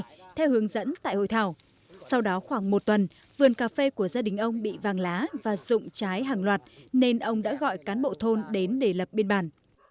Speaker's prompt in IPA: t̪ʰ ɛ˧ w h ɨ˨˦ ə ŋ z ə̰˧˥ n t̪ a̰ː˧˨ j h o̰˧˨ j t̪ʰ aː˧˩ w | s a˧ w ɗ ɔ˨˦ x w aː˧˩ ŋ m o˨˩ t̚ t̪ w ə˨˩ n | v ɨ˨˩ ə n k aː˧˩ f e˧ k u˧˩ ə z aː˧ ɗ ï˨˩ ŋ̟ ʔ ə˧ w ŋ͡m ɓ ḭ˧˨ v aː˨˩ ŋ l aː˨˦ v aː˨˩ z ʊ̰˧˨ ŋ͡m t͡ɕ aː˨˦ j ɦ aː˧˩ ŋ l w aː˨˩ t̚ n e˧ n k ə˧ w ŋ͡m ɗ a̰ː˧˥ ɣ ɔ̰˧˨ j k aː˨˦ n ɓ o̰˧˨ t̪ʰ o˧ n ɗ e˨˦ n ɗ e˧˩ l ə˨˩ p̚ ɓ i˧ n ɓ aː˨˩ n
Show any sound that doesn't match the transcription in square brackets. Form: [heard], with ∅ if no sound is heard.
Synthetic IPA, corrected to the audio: t̪ʰ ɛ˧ w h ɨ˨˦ ə ŋ z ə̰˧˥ n t̪ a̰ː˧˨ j h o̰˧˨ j t̪ʰ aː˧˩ w | s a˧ w ɗ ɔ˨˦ x w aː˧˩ ŋ m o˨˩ t̚ t̪ w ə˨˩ n | v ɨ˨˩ ə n k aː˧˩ f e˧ k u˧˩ ə z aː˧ ɗ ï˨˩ ŋ̟ ʔ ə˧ w ŋ͡m ɓ ḭ˧˨ v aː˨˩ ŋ l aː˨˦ v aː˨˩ z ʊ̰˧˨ ŋ͡m t͡ɕ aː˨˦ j ɦ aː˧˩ ŋ l w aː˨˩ t̚ n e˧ n [ʔ] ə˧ w ŋ͡m ɗ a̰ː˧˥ ɣ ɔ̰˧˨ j k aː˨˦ n ɓ o̰˧˨ t̪ʰ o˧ n ɗ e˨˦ n ɗ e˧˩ l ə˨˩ p̚ ɓ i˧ n ɓ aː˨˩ n